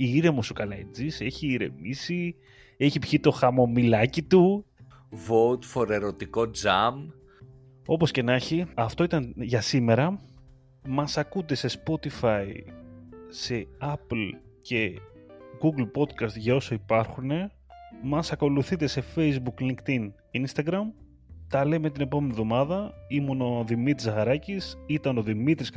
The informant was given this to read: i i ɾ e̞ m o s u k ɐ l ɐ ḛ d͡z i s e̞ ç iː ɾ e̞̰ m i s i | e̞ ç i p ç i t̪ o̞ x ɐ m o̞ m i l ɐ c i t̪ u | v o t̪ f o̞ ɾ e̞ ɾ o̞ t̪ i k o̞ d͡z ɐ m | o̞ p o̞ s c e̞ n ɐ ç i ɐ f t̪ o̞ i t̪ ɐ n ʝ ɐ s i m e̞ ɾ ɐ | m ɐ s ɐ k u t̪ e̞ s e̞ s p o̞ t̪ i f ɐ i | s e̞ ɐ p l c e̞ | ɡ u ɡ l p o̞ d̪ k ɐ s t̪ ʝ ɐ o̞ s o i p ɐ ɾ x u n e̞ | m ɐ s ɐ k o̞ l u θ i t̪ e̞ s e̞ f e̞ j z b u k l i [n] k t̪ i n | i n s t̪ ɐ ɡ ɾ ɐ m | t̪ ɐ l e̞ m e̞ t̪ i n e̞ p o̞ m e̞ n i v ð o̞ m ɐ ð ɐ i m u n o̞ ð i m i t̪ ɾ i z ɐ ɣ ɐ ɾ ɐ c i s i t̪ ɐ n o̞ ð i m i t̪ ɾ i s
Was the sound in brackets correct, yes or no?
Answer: no